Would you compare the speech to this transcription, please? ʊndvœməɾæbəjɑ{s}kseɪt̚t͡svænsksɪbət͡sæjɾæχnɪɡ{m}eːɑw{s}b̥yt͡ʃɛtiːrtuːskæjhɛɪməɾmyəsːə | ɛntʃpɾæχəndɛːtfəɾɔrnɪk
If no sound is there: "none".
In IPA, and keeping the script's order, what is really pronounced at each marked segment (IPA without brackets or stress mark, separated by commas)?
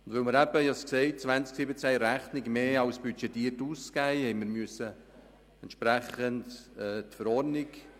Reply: s, m, s